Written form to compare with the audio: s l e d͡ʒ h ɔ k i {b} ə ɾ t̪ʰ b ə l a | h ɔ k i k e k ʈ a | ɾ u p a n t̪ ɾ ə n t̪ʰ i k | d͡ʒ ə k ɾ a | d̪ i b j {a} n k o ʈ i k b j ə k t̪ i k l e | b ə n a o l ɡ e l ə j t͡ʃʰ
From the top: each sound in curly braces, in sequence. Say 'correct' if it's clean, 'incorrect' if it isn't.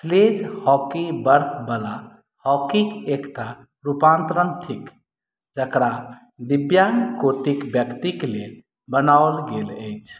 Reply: correct, correct

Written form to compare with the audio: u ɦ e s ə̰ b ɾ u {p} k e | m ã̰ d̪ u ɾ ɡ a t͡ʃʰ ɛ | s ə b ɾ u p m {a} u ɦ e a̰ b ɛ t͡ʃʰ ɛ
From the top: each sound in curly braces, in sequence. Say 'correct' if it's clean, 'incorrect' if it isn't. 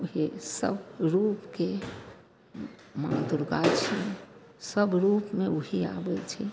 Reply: correct, incorrect: e

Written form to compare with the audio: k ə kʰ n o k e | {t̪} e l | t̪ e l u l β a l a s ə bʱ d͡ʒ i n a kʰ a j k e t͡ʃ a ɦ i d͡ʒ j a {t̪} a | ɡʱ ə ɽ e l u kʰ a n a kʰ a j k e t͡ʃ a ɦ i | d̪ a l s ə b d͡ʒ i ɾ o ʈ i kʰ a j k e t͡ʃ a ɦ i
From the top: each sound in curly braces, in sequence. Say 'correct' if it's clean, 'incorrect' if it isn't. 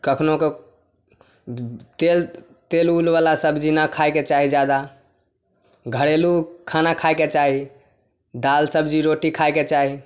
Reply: correct, incorrect: d̪

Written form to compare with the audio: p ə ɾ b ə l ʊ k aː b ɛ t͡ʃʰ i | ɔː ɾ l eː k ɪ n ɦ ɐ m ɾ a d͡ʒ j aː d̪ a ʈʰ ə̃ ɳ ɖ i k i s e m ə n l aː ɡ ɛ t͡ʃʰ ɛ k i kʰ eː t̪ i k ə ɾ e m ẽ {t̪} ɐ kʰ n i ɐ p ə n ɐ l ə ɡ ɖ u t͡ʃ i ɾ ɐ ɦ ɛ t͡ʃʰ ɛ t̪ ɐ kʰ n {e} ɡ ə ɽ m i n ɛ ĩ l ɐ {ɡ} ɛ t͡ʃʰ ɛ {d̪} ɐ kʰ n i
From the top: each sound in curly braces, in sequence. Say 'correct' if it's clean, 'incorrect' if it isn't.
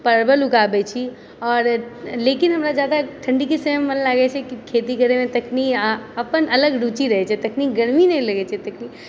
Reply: correct, incorrect: i, correct, incorrect: t̪

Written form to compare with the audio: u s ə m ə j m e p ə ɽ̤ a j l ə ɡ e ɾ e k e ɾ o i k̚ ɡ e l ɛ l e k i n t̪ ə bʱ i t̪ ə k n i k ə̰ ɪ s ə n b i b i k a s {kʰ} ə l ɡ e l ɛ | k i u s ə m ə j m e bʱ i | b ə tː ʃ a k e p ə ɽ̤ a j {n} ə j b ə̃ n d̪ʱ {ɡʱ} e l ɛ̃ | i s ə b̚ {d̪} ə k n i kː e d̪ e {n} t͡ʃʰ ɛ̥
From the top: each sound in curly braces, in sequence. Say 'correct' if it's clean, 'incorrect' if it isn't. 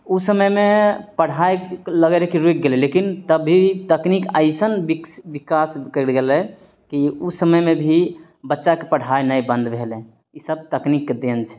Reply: incorrect: k, correct, incorrect: bʱ, incorrect: t̪, correct

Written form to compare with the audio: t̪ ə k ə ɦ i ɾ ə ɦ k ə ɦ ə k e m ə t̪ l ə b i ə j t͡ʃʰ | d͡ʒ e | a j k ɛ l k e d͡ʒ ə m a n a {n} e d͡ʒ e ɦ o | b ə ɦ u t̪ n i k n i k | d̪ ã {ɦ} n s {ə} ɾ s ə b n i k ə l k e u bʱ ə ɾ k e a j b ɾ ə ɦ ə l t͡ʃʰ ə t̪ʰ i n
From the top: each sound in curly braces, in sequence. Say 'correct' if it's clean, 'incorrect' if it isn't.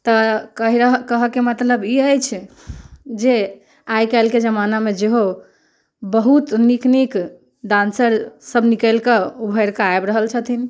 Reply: incorrect: m, incorrect: none, correct

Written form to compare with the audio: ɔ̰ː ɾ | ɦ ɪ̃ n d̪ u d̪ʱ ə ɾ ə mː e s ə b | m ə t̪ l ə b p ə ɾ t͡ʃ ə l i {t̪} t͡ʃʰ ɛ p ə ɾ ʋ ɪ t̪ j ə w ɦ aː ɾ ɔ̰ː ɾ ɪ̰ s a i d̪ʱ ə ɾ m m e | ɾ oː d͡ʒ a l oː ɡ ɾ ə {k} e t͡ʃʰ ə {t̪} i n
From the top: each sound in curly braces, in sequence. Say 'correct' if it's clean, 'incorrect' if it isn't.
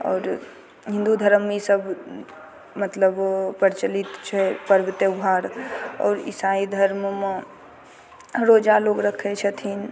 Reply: correct, incorrect: kʰ, incorrect: t̪ʰ

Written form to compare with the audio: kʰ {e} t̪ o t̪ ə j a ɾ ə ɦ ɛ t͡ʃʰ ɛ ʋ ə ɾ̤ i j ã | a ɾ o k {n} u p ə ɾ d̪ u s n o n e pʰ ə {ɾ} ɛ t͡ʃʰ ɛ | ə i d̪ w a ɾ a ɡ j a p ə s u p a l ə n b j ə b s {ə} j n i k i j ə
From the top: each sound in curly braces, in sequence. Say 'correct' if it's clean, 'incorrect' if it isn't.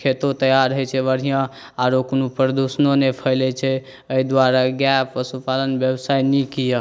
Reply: correct, correct, incorrect: l, incorrect: a

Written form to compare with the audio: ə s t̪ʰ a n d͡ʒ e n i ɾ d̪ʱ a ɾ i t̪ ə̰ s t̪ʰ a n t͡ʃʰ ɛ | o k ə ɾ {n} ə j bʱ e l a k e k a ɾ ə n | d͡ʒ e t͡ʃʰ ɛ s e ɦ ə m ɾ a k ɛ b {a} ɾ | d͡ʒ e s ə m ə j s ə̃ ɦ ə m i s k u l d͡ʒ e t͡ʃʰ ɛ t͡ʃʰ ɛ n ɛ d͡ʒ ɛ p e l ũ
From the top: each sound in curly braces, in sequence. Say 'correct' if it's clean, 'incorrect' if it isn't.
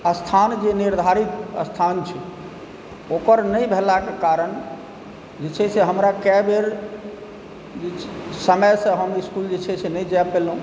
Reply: correct, incorrect: e

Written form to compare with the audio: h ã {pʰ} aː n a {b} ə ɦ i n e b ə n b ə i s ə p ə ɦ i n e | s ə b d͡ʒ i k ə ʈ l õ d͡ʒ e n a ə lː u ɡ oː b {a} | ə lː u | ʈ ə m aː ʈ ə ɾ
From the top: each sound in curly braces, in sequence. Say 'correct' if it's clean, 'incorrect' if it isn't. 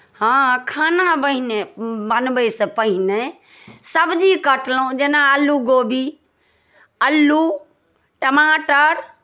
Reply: incorrect: kʰ, correct, incorrect: i

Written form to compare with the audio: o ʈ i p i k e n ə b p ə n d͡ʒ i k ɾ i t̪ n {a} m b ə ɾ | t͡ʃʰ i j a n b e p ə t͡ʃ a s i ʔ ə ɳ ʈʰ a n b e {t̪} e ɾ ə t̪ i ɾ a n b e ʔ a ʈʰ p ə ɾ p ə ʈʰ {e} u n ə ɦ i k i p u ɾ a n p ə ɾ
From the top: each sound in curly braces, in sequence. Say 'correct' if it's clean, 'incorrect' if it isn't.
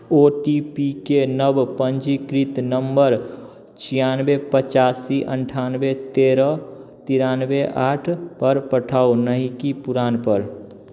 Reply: incorrect: ə, correct, incorrect: a

